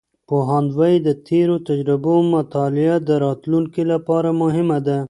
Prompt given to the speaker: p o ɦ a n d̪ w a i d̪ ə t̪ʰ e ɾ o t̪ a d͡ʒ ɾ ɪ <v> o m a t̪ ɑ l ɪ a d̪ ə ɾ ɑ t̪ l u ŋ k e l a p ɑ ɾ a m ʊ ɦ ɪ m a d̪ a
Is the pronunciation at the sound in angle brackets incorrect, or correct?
incorrect